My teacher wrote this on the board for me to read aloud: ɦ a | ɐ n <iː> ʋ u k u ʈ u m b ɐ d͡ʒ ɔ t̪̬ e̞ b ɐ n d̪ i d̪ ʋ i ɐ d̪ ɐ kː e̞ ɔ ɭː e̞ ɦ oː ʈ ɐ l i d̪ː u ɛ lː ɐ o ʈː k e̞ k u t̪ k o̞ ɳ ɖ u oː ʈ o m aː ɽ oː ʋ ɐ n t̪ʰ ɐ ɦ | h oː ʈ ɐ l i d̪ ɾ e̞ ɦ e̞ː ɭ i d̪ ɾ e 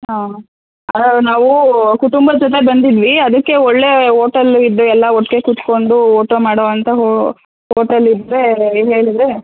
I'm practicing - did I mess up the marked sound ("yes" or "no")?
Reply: yes